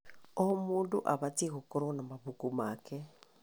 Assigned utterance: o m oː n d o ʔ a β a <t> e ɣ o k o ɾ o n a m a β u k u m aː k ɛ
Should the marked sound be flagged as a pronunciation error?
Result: no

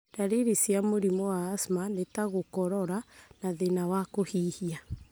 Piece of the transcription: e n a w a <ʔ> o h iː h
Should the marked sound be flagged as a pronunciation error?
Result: yes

